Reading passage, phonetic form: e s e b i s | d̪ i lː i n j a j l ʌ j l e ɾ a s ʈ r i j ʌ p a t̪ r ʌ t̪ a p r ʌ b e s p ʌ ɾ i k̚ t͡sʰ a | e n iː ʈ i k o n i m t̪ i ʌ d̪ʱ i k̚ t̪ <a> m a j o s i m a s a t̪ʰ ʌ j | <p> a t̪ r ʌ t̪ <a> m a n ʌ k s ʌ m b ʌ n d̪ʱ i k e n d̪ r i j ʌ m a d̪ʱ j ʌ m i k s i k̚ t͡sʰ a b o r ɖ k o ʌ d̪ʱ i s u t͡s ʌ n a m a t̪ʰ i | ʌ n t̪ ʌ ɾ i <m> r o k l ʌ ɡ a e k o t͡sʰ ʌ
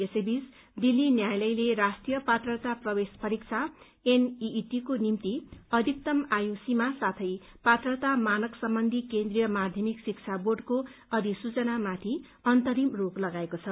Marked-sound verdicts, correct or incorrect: incorrect: ʌ, correct, correct, correct

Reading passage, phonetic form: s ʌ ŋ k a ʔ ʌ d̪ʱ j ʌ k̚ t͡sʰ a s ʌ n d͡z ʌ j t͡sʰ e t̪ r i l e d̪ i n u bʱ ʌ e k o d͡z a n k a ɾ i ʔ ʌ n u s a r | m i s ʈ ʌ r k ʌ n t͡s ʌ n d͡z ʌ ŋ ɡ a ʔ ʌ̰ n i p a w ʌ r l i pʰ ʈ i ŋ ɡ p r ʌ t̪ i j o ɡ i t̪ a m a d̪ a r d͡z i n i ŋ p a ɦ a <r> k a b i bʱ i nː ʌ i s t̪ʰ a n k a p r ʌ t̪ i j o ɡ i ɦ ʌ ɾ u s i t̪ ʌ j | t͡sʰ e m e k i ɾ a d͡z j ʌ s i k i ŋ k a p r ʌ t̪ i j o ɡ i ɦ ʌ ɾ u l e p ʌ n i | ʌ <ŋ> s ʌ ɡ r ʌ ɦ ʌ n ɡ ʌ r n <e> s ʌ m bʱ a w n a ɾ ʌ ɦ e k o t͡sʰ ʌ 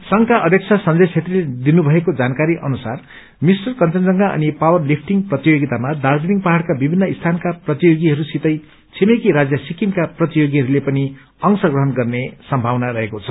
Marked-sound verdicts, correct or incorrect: incorrect: ɽ, correct, correct

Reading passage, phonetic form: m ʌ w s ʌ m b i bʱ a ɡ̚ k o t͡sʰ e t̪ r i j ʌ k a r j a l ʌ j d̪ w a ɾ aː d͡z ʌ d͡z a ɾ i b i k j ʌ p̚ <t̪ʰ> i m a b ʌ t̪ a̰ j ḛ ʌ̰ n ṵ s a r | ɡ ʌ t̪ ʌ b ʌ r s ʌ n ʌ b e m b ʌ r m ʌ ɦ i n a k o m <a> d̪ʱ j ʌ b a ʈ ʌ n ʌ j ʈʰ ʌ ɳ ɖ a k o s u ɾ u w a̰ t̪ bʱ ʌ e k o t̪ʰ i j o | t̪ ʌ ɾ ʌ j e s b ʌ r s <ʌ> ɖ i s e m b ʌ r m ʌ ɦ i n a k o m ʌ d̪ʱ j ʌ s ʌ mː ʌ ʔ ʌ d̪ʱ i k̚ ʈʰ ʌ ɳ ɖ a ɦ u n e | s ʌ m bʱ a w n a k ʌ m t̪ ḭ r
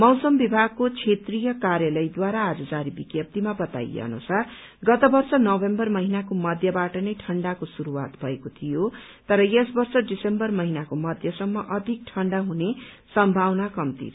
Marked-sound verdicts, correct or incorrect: incorrect: t̪, incorrect: ʌ, correct

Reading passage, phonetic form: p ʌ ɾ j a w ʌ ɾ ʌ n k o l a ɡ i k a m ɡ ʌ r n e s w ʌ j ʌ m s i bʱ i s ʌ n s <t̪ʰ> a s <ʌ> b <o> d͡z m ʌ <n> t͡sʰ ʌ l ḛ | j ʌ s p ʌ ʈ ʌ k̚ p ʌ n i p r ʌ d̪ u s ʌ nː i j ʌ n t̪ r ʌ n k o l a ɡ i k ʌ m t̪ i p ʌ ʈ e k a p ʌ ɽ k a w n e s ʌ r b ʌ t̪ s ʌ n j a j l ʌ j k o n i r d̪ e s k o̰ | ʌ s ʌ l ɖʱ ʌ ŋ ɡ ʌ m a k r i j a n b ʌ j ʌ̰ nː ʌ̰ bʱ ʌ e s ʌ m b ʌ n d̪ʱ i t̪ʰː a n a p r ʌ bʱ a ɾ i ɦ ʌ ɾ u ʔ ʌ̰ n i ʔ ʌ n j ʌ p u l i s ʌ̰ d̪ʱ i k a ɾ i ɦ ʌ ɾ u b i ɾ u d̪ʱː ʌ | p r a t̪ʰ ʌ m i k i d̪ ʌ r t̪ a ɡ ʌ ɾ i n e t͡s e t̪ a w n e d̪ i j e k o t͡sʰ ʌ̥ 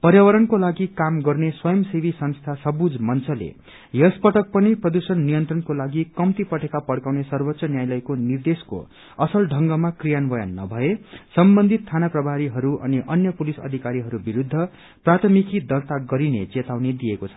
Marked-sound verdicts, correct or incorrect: correct, correct, incorrect: u, correct

